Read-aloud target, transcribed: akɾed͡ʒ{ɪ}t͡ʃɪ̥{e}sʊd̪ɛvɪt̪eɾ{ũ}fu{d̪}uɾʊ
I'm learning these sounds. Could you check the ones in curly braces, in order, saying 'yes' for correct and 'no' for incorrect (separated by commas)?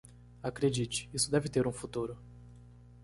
no, no, yes, no